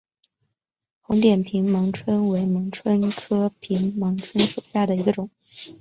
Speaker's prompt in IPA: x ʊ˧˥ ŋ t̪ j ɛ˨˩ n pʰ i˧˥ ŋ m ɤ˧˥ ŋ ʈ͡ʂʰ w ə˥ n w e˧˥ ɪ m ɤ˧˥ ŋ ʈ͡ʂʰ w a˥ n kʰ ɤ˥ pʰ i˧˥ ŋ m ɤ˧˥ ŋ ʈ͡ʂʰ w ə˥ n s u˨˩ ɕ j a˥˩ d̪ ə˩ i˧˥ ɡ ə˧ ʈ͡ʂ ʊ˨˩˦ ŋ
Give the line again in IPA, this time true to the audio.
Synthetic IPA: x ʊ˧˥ ŋ t̪ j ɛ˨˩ n pʰ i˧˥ ŋ m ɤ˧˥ ŋ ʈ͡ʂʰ w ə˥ n w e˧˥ ɪ m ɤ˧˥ ŋ ʈ͡ʂʰ w ə˥ n kʰ ɤ˥ pʰ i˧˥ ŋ m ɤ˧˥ ŋ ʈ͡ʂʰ w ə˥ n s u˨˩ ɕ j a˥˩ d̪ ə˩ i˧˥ ɡ ə˧ ʈ͡ʂ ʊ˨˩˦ ŋ